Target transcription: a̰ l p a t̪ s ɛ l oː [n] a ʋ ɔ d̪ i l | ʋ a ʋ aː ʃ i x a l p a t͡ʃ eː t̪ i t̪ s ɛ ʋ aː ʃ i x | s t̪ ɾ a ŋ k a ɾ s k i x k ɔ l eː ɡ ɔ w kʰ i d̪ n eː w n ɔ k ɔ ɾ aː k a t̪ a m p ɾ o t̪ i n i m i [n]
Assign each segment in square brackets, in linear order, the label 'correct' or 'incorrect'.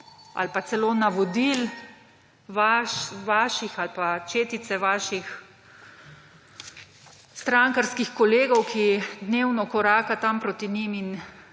correct, correct

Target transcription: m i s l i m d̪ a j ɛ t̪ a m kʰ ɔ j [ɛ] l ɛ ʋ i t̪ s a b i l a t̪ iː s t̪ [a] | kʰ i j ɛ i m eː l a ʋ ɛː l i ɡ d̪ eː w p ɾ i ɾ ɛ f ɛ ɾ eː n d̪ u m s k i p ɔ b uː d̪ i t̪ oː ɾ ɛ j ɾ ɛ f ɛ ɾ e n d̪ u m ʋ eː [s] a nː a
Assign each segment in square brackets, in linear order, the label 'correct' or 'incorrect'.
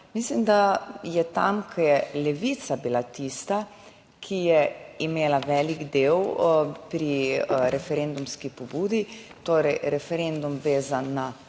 correct, correct, incorrect

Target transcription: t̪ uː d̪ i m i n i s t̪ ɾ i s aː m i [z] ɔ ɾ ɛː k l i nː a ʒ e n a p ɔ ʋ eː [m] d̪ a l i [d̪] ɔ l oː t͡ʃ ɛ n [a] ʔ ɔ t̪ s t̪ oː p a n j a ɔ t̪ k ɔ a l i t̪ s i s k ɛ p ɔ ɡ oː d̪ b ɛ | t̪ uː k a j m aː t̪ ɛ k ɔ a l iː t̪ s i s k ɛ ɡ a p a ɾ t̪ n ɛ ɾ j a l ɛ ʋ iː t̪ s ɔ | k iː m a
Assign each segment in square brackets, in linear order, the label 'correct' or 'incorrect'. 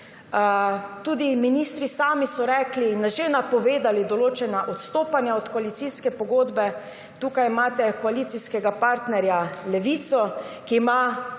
incorrect, incorrect, correct, correct

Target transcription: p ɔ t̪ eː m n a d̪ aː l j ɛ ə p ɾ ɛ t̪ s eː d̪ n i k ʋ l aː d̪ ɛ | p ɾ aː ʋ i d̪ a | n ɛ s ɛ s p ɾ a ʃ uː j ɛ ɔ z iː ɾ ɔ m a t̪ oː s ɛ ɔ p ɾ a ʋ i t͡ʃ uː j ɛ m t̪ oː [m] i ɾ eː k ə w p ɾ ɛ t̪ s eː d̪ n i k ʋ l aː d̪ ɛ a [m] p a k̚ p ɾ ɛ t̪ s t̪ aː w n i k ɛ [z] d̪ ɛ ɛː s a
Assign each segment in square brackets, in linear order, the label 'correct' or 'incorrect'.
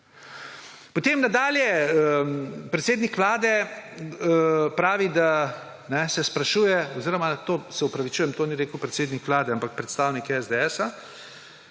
incorrect, correct, correct

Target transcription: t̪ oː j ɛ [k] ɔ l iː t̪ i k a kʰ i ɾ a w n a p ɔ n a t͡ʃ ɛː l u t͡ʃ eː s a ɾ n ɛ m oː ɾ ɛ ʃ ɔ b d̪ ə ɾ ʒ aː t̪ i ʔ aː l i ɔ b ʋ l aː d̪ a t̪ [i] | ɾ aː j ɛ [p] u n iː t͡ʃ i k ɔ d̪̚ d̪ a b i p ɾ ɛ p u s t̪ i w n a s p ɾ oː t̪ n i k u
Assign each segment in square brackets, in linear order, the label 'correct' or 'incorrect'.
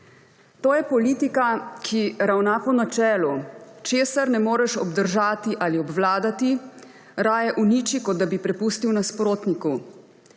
incorrect, correct, incorrect

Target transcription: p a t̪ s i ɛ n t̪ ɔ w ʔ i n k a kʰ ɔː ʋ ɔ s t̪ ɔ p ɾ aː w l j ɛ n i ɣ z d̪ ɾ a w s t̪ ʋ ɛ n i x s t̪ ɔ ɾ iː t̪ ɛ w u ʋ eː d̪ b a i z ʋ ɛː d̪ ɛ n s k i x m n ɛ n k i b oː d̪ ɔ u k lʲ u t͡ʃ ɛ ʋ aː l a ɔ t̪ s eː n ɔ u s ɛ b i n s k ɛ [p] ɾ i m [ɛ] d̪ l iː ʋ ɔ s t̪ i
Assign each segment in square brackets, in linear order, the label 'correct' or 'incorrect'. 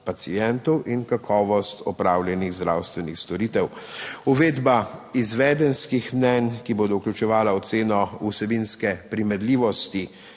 correct, correct

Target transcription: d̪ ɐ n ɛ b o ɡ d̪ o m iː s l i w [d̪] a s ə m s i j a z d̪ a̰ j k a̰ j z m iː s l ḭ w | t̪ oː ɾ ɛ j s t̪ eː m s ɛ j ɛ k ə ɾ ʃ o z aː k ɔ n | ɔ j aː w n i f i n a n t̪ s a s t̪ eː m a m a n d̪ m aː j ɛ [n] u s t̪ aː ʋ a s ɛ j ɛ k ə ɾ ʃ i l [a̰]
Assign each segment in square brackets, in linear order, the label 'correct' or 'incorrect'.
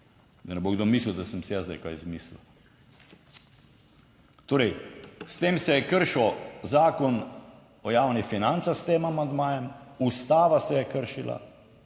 correct, incorrect, correct

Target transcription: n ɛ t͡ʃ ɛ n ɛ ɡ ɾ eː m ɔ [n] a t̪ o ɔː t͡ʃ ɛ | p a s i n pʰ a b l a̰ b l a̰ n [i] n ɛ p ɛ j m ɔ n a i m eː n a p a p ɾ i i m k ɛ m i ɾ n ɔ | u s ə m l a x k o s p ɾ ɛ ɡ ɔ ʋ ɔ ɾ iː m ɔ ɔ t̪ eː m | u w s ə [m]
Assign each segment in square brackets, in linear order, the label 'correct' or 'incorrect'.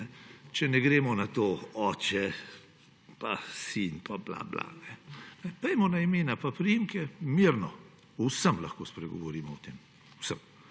correct, incorrect, correct

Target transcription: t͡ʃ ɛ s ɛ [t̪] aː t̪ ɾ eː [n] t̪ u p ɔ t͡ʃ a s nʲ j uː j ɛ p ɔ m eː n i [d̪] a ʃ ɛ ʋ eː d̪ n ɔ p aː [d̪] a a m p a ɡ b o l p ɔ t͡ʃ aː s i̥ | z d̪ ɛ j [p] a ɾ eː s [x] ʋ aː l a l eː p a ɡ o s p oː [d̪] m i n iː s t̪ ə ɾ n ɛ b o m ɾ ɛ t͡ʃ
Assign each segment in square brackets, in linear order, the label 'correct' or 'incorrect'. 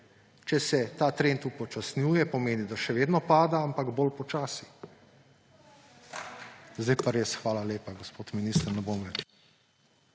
correct, correct, correct, correct, correct, correct, incorrect

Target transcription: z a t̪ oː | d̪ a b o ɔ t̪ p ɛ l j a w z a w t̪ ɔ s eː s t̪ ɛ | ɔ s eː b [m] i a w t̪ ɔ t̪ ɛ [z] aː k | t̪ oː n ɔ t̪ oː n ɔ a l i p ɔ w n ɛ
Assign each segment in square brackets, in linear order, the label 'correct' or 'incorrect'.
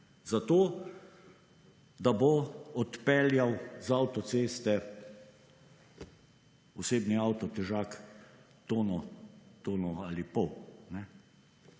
incorrect, incorrect

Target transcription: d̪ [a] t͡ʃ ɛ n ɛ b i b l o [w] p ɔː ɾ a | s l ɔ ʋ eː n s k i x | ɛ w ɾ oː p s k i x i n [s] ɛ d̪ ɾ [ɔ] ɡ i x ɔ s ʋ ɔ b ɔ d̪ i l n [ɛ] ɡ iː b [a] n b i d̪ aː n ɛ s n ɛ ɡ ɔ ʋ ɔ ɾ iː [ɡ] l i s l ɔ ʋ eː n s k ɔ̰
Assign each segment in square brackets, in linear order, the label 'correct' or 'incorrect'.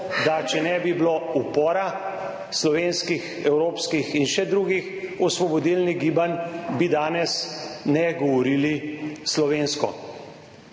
correct, incorrect, incorrect, incorrect, incorrect, correct, incorrect

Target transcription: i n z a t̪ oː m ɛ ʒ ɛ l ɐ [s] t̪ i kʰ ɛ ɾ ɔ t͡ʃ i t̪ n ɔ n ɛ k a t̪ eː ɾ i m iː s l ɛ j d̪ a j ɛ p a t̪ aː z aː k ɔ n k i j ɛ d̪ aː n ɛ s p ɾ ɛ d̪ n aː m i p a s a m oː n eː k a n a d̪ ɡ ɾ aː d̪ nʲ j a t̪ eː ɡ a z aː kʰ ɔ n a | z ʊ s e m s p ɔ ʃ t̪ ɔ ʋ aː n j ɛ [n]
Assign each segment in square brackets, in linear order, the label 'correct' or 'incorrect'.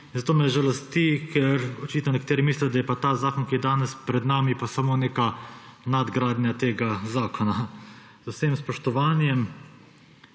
correct, incorrect

